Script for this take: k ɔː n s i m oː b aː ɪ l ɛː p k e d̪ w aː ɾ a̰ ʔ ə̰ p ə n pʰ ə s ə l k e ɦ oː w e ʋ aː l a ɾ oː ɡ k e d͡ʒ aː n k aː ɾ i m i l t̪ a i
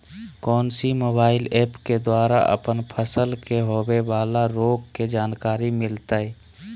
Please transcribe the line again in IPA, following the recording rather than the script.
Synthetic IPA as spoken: k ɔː n s i m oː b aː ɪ l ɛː p k e d̪ w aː ɾ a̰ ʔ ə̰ p ə n pʰ ə s ə l k e ɦ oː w e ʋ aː l a ɾ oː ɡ k e d͡ʒ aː n k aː ɾ i m ɪ l t̪ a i